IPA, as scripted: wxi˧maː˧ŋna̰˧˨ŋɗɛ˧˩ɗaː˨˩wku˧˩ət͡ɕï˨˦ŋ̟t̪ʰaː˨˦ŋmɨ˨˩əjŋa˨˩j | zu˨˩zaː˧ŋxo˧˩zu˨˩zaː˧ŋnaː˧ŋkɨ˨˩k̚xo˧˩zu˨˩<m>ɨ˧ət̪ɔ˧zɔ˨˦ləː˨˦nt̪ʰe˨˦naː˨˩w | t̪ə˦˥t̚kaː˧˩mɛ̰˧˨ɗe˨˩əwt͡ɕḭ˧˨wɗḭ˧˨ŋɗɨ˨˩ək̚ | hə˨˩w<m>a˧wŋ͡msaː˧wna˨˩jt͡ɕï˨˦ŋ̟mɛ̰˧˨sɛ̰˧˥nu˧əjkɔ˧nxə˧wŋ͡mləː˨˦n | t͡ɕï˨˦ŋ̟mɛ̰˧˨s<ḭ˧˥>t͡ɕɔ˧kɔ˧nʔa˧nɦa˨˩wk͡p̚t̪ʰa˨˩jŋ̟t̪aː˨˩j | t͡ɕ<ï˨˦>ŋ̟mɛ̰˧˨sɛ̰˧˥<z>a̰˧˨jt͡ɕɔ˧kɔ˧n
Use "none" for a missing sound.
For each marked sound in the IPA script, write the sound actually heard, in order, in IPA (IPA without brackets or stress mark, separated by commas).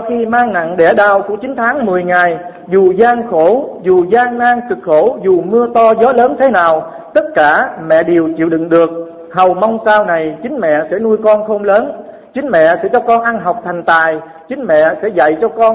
m, m, ɛ̰˧˥, ï˨˦, z